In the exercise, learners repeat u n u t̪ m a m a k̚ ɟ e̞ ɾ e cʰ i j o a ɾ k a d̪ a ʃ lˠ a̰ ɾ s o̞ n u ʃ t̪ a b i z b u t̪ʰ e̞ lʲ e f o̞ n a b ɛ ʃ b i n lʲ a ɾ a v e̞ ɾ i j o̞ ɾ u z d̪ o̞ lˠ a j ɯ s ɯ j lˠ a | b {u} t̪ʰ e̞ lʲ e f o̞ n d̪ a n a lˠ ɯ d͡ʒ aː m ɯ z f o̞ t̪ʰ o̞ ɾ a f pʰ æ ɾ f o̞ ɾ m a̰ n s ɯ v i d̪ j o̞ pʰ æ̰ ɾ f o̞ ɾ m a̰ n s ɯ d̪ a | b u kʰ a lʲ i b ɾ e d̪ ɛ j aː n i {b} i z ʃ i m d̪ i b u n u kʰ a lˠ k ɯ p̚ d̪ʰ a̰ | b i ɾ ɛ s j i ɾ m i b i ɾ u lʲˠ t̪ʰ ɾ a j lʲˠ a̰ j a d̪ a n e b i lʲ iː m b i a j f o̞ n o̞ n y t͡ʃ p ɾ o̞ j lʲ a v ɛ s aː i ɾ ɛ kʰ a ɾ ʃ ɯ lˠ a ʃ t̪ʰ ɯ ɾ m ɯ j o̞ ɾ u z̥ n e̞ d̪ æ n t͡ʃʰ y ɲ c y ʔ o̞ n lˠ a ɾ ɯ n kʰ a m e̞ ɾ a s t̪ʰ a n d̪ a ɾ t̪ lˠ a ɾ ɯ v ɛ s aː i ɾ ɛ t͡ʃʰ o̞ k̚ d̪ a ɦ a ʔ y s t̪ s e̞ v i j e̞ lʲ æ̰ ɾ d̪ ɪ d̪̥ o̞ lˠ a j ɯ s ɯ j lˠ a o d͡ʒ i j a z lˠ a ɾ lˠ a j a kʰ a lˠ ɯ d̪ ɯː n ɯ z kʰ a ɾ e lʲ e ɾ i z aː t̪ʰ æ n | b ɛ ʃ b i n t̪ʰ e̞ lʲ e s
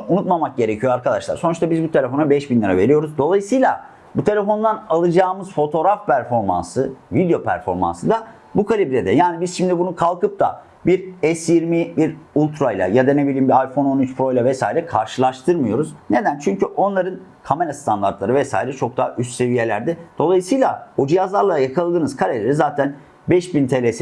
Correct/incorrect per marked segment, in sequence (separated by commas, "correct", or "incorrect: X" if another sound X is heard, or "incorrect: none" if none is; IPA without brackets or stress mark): correct, correct